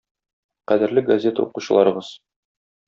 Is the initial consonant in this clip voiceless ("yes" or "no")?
yes